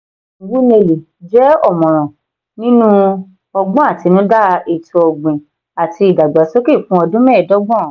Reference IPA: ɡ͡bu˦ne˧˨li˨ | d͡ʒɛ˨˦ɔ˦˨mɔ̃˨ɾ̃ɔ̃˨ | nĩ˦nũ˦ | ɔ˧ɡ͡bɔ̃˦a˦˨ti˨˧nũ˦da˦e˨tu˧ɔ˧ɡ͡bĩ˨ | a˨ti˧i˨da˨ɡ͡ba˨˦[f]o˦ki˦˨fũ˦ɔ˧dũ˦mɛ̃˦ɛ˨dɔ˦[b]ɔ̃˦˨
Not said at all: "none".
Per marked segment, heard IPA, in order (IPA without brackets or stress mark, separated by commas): s, ɡ͡b